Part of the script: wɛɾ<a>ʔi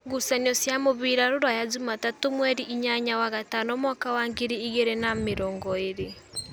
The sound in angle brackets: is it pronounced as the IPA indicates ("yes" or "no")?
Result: no